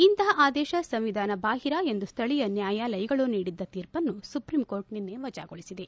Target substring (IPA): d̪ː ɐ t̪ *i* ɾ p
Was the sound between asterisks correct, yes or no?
no